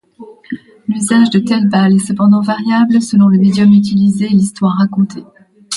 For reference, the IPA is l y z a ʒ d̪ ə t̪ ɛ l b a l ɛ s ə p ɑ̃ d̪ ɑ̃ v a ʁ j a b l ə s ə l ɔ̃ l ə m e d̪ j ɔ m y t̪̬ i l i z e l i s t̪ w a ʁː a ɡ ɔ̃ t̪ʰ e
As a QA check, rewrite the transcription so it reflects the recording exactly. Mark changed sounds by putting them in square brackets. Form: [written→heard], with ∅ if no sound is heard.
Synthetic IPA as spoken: l y z a ʒ d̪ ə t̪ ɛ l b a l ɛ s ə p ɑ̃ d̪ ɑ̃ v a ʁ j a b l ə s ə l ɔ̃ l ə m e d̪ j ɔ m y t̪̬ i l i z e l i s t̪ w a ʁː a [ɡ→k] ɔ̃ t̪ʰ e